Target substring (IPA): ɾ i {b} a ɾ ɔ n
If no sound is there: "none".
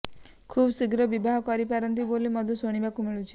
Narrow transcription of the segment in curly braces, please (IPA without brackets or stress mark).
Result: p